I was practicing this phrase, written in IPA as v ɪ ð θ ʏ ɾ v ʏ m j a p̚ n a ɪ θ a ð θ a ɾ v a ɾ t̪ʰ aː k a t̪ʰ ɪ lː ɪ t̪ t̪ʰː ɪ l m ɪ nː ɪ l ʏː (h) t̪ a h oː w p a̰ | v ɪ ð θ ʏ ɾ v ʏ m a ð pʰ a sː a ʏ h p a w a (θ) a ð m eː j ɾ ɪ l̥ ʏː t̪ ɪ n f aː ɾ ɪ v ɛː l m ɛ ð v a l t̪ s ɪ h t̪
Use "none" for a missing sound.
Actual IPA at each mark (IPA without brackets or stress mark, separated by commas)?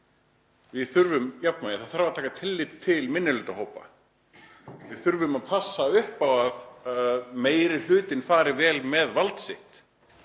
none, ð